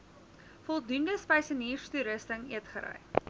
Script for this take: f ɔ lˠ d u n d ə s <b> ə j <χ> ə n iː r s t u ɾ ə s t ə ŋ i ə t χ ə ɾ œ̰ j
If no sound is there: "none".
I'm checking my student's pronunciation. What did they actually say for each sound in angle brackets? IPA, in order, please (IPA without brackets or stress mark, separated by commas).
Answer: p, s